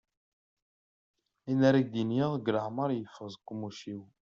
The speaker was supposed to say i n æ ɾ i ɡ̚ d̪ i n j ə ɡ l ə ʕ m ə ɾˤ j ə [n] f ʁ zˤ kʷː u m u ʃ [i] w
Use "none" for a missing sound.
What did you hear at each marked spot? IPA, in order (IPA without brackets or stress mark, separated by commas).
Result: none, i